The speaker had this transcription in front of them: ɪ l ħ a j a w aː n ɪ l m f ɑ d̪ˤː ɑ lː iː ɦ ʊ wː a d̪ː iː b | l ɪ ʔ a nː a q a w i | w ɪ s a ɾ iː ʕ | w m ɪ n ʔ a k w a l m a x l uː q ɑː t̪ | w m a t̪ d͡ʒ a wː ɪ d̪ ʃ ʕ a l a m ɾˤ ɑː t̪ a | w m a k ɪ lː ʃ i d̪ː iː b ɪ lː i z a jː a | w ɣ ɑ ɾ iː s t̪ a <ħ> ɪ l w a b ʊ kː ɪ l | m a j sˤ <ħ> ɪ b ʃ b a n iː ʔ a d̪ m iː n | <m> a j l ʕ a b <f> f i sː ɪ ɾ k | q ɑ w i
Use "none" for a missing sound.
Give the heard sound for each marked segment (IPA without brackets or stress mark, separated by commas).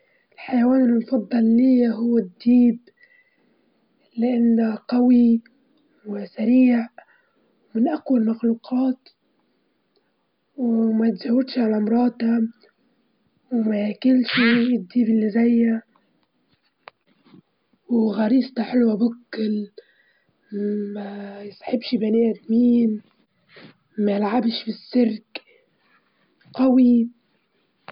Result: ħ, ħ, m, ʃ